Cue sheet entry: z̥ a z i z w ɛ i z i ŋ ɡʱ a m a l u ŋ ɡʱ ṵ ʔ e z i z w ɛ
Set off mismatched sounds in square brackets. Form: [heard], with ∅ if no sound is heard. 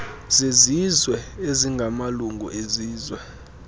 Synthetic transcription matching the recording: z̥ [e] z i z w ɛ [e] z i ŋ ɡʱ a m a l u ŋ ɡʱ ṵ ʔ e z [iː] z w ɛ